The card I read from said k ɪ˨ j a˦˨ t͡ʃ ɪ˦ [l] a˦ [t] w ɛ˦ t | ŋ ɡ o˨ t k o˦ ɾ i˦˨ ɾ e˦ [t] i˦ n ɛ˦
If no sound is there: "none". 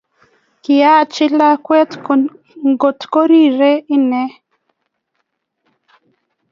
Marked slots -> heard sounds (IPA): l, k, none

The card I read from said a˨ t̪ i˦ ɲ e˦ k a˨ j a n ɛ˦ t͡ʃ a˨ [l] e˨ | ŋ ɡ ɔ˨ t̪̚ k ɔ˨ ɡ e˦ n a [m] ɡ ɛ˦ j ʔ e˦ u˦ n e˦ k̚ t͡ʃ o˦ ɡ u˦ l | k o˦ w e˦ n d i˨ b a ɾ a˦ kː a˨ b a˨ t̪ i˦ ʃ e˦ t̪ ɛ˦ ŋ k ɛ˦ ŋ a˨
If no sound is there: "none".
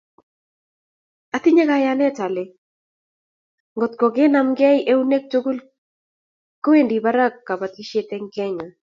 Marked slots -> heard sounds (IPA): l, m

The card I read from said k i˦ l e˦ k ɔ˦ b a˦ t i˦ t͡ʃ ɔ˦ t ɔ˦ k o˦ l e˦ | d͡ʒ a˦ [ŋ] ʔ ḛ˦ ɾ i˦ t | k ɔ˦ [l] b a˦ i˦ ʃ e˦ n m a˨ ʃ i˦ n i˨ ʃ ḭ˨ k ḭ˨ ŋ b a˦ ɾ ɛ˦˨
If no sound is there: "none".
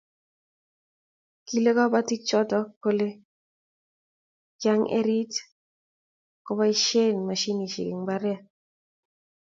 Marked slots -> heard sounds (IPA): ŋ, none

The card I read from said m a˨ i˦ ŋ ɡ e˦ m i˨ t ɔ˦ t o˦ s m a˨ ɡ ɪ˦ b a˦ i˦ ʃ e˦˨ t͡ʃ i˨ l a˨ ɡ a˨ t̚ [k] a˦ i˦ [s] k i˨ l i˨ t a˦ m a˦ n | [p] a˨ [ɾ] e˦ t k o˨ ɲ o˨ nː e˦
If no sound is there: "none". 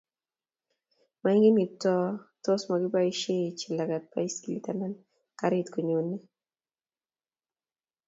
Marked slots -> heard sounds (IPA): p, s, k, ɾ

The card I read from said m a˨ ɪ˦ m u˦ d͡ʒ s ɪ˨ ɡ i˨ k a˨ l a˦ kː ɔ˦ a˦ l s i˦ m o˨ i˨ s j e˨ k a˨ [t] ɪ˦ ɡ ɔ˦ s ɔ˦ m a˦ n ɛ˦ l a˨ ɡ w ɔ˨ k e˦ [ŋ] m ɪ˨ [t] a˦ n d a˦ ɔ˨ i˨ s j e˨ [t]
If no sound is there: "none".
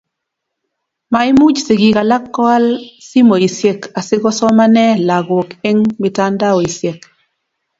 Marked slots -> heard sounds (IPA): s, ŋ, t, k

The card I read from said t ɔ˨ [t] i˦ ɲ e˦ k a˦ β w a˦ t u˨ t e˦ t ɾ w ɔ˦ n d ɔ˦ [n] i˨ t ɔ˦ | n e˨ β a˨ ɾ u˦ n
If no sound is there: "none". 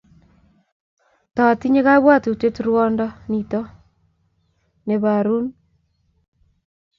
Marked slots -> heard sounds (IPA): t, n

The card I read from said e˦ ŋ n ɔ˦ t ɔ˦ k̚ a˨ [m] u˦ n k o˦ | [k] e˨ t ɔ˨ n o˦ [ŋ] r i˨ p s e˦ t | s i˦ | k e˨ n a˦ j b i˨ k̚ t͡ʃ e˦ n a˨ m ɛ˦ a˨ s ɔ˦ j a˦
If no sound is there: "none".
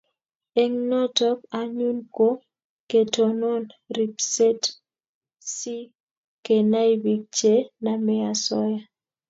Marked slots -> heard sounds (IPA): ɲ, k, n

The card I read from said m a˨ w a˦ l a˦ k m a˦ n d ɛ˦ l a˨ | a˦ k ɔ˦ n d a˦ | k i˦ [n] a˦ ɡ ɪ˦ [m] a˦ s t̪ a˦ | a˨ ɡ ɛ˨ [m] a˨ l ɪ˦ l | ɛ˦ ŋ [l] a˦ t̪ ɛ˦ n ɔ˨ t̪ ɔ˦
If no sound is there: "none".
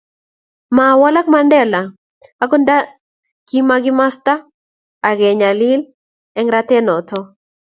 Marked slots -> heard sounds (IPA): m, m, ɲ, ɾ

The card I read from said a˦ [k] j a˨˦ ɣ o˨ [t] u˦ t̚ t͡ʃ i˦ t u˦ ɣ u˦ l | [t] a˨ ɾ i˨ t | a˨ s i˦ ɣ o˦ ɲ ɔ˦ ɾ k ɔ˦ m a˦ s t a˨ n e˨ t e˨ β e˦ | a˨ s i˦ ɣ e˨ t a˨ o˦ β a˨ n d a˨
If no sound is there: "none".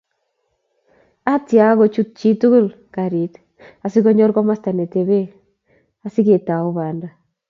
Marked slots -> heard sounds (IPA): t, t͡ʃ, k

